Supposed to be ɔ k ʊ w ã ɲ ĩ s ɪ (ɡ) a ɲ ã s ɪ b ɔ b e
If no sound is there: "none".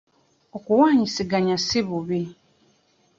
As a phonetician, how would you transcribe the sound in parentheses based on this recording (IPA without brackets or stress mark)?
ɡ